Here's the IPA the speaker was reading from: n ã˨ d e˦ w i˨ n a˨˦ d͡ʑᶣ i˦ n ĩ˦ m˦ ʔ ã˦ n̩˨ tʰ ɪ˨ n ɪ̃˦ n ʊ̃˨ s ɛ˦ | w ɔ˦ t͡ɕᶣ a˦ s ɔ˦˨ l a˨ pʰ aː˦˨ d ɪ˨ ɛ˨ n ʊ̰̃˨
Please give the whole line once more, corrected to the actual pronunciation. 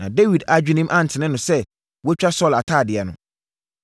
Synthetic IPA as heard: n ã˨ d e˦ w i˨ d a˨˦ d͡ʑᶣ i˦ n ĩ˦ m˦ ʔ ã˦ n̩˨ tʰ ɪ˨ n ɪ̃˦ n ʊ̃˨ s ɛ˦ | w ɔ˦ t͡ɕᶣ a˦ s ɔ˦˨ l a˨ tʰ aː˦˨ d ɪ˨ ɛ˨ n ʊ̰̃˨